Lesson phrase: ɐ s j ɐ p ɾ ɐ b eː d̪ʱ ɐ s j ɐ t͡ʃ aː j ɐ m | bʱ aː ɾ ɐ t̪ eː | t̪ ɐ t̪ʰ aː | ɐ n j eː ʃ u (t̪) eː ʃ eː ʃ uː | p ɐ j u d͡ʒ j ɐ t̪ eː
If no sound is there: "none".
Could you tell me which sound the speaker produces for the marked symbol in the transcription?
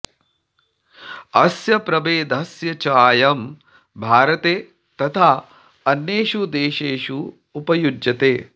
d̪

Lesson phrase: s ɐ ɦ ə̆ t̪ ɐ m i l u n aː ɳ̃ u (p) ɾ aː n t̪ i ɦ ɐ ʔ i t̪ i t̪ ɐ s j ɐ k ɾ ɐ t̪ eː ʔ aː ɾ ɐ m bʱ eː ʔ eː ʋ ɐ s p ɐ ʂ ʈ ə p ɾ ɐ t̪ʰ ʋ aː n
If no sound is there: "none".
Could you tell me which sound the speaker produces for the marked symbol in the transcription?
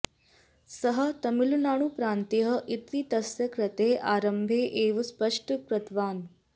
p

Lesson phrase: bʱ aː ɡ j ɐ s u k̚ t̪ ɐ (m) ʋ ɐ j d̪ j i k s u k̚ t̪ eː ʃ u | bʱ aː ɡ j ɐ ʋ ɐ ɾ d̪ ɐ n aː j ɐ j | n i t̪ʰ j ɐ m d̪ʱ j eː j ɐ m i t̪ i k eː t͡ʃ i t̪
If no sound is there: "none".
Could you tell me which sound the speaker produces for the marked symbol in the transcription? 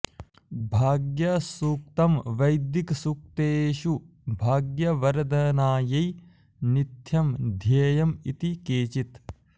m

